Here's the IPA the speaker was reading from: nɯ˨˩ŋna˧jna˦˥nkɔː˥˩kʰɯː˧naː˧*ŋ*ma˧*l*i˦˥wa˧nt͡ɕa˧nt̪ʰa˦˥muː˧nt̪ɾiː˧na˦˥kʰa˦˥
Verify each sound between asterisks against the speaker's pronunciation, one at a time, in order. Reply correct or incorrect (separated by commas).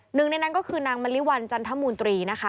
correct, correct